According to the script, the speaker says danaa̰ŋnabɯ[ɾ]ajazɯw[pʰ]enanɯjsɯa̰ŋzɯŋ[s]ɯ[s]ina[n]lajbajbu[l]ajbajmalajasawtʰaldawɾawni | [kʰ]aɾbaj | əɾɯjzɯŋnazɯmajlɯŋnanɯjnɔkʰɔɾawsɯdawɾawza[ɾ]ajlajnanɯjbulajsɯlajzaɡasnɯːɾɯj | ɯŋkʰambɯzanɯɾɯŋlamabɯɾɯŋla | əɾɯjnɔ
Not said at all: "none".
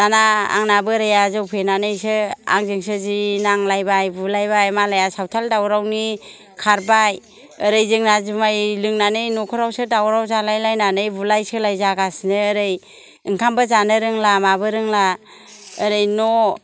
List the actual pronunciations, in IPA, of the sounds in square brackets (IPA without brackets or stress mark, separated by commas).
ɾ, pʰ, s, z, ŋ, l, kʰ, l